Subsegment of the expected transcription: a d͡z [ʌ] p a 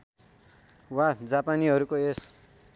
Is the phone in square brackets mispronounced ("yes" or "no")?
yes